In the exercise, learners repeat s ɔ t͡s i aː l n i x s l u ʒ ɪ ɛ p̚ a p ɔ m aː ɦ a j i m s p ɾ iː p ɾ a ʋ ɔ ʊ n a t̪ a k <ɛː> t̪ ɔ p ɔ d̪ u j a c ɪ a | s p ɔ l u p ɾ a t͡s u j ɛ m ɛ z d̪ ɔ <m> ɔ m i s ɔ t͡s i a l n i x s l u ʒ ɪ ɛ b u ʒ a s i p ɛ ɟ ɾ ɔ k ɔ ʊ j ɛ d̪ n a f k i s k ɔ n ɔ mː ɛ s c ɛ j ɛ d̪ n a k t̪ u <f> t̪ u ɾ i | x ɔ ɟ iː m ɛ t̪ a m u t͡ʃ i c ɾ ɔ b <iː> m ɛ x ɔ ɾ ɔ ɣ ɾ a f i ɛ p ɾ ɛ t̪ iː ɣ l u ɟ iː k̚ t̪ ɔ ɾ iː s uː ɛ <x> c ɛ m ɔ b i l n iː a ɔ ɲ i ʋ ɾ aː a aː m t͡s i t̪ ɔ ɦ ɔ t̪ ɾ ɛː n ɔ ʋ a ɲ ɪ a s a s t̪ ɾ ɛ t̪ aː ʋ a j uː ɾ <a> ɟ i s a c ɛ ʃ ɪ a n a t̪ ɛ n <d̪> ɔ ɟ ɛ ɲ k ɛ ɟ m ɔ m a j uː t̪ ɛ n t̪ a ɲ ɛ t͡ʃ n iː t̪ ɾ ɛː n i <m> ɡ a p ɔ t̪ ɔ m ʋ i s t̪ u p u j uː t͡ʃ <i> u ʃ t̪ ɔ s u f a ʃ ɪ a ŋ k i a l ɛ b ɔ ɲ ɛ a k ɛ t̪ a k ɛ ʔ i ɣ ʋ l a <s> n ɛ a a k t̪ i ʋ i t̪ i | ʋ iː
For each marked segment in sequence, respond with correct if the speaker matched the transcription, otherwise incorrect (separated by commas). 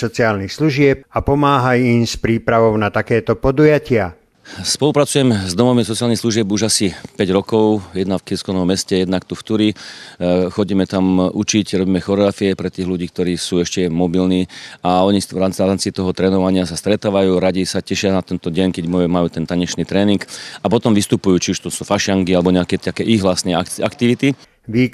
correct, correct, correct, correct, incorrect, correct, incorrect, incorrect, correct, correct